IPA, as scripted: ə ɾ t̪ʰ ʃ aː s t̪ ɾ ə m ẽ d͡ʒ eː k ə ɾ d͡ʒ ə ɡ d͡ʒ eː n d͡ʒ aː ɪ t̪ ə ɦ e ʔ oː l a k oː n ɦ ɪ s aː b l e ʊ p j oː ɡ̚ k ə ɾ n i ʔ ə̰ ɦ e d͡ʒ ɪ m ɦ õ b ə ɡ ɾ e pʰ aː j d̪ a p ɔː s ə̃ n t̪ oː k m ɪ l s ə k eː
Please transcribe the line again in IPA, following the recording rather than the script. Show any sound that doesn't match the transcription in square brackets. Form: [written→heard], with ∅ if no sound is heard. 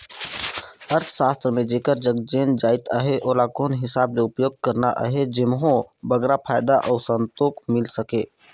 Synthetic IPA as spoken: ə ɾ t̪ʰ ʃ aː s t̪ ɾ ə m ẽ d͡ʒ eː k ə ɾ d͡ʒ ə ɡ d͡ʒ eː n d͡ʒ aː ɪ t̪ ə ɦ e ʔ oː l a k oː n ɦ ɪ s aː b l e ʊ p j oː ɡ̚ k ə ɾ n [i→a] ʔ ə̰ ɦ e d͡ʒ ɪ m ɦ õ b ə ɡ ɾ [e→a] pʰ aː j d̪ a [p→ʔ] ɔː s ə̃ n t̪ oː k m ɪ l s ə k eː